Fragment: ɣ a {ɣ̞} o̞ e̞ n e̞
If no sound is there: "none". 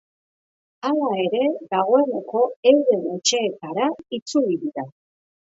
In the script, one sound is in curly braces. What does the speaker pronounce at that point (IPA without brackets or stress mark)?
ɣ̞